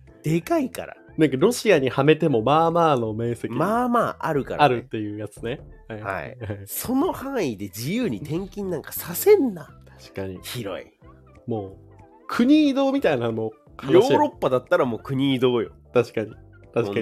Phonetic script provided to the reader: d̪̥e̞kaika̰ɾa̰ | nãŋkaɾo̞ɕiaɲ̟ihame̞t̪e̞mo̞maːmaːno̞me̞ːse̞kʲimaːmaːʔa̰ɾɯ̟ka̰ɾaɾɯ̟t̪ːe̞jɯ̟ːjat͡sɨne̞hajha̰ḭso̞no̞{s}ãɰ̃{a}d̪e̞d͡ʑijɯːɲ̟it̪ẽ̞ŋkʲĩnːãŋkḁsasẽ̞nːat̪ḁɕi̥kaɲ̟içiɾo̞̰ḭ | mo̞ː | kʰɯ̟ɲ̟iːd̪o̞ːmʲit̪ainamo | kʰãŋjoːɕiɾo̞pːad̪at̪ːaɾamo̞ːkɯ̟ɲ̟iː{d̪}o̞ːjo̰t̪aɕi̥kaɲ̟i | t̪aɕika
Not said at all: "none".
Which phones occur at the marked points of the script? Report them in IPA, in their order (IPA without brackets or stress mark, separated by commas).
h, i, d̪